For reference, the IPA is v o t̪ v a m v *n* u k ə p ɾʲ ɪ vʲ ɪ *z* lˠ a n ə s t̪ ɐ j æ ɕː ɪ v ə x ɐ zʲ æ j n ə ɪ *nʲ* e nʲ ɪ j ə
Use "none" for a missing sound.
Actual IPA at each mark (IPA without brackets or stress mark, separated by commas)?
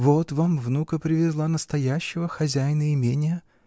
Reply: n, z, mʲ